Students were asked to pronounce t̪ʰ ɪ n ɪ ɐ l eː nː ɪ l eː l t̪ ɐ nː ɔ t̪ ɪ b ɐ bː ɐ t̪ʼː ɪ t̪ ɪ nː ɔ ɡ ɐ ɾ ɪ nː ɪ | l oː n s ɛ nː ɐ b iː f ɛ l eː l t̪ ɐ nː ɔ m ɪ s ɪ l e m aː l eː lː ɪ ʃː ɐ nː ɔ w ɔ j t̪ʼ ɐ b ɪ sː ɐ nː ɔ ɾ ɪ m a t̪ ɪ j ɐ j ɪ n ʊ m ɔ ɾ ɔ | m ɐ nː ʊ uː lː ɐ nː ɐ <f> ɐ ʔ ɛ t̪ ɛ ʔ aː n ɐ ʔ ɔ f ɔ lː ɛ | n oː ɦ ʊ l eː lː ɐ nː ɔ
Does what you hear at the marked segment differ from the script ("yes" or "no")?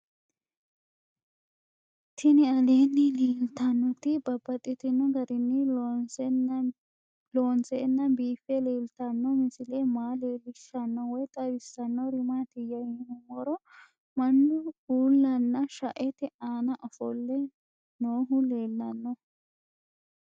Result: yes